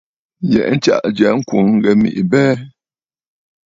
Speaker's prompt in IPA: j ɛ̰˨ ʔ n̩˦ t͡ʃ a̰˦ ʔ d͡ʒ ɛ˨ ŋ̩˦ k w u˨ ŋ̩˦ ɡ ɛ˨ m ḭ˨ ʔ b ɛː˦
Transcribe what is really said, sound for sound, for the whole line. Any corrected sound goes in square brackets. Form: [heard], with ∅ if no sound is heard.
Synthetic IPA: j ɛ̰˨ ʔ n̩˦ t͡ʃ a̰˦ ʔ d͡ʒ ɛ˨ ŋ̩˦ k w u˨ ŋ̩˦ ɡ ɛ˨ m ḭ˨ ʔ b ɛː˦